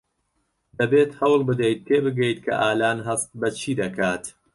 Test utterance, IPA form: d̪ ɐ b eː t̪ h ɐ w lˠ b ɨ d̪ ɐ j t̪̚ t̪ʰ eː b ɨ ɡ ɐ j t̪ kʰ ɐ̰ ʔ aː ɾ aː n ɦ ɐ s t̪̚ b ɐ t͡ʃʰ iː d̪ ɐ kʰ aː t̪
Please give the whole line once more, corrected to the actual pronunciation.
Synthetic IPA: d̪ ɐ b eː t̪ h ɐ w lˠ b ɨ d̪ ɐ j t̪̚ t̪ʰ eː b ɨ ɡ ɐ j t̪ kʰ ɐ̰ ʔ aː l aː n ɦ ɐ s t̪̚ b ɐ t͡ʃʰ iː d̪ ɐ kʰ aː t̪